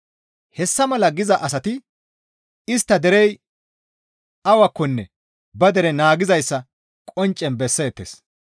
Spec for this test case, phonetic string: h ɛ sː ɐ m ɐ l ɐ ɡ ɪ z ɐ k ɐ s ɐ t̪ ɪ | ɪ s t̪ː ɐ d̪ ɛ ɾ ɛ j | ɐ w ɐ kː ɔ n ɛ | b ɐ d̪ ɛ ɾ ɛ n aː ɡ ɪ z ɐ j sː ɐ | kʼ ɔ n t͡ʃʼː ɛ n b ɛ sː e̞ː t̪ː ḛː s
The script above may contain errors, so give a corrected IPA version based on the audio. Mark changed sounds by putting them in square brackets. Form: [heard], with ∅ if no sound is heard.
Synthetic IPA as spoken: h ɛ sː ɐ m ɐ l ɐ ɡ ɪ z ɐ [ʔ] ɐ s ɐ t̪ ɪ | ɪ s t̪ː ɐ d̪ ɛ ɾ ɛ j | ɐ w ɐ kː ɔ [nː] ɛ | b ɐ d̪ ɛ ɾ ɛ n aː ɡ ɪ z ɐ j sː ɐ | kʼ ɔ n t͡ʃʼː ɛ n b ɛ sː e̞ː t̪ː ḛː s